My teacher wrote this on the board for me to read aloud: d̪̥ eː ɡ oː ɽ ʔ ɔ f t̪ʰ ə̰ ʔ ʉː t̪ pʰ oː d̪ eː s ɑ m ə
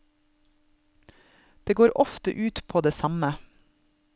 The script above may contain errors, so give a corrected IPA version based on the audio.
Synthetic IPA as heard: d̪̥ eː ɡ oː ɾ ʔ ɔ f t̪ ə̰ ʔ ʉː t̪ pʰ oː d̪ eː s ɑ m ə